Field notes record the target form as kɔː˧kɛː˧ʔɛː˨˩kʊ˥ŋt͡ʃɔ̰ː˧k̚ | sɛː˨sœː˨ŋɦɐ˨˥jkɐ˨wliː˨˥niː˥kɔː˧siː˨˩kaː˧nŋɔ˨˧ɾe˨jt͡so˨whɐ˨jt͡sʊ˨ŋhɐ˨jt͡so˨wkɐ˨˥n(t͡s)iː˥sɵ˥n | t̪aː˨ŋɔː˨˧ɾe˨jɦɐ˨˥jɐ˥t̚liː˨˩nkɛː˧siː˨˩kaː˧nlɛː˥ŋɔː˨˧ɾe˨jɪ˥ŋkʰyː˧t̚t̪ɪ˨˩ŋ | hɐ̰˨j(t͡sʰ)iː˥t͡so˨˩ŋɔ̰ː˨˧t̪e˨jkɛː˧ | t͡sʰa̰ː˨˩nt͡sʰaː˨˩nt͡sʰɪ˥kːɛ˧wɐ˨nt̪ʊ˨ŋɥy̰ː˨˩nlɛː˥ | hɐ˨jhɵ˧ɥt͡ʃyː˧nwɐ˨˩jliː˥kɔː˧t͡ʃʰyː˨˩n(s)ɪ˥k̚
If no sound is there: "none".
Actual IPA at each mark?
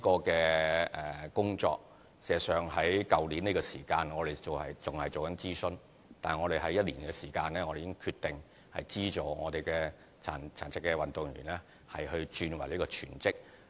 t͡s, t͡s, t͡s

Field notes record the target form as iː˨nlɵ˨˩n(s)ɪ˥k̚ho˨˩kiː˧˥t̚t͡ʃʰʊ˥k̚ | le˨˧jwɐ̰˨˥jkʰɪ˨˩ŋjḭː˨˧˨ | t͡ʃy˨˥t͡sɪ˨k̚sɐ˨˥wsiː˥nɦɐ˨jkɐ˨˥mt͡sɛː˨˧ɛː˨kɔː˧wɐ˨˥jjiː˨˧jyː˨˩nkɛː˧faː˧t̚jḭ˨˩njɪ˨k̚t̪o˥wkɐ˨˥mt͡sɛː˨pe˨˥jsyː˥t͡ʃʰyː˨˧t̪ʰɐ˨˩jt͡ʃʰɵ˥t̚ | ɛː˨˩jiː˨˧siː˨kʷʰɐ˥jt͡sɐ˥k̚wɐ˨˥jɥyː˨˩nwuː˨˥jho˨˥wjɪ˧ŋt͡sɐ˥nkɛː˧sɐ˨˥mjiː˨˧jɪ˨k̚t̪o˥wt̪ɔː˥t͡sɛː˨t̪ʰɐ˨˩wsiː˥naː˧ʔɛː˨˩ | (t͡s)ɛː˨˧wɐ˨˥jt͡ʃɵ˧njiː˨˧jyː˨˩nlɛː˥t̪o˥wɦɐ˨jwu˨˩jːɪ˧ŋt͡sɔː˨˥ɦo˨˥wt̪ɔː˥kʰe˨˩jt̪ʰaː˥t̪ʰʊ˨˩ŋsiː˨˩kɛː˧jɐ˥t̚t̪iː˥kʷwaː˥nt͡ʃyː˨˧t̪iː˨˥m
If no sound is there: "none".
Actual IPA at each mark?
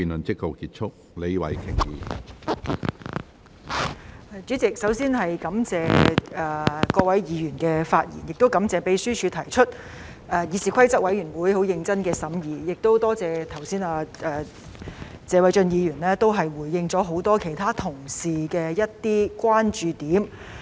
t͡s, t͡s

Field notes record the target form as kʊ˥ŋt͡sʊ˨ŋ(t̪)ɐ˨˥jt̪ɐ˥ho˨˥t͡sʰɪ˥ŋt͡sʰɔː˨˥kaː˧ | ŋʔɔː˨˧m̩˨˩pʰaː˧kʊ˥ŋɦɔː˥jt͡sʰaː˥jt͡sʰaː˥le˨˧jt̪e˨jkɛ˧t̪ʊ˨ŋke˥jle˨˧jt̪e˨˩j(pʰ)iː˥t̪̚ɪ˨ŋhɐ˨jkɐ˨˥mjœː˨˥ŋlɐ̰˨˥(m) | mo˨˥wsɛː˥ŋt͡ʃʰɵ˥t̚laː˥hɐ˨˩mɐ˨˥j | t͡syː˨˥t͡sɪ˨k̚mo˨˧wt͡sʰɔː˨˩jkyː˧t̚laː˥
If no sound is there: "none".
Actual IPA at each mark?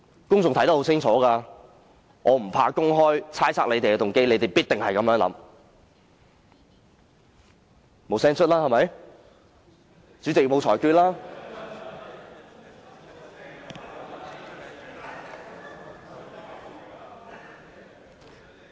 t̪ʰ, p, m

